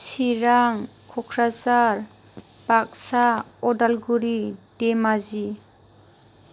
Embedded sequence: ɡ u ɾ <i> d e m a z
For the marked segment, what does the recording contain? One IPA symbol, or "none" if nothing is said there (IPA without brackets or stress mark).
i